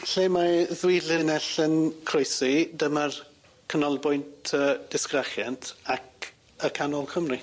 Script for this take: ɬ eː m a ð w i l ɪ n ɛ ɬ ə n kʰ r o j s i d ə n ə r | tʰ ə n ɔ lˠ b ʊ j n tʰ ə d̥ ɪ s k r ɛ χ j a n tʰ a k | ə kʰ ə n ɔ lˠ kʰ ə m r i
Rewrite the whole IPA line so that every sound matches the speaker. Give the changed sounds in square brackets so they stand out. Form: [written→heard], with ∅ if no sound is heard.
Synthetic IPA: ɬ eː m a ð w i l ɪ n ɛ ɬ ə n kʰ r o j s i d ə [n→m] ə r | [tʰ→kʰ] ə n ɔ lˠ b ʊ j n tʰ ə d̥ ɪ s k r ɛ χ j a n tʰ a k | ə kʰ [ə→a] n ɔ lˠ kʰ ə m r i